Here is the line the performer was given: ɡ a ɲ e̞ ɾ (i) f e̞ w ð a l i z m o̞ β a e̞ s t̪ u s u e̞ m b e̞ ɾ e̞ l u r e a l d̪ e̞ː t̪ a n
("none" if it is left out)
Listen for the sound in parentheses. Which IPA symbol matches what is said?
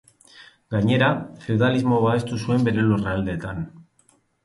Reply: a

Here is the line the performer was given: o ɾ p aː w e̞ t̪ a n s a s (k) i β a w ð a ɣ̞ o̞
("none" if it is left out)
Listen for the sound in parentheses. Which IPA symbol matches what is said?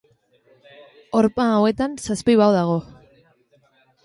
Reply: p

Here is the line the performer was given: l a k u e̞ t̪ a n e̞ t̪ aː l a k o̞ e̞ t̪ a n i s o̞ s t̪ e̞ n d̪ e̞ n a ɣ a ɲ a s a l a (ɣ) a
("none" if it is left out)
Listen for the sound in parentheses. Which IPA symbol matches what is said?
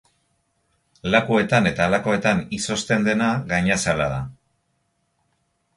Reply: ð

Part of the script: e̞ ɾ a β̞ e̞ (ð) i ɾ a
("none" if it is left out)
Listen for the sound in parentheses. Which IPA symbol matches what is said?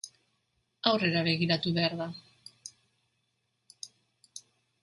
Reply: ɣ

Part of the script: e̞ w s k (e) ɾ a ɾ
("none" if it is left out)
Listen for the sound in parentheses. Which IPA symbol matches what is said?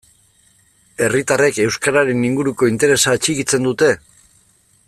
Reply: a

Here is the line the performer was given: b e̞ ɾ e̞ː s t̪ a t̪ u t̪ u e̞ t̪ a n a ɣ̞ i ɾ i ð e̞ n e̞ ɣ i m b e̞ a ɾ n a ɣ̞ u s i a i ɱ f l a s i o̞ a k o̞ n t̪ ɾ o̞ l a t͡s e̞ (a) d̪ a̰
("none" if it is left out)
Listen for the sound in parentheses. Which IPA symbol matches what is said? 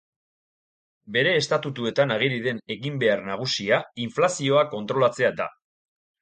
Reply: a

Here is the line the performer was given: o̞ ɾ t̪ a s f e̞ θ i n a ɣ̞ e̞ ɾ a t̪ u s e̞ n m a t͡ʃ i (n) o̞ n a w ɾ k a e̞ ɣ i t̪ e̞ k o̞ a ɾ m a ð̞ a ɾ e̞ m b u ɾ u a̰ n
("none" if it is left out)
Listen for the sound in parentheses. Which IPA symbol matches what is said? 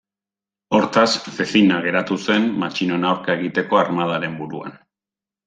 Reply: n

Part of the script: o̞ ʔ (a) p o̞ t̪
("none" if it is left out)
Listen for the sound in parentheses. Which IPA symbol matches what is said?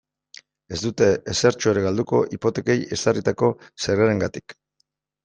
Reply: i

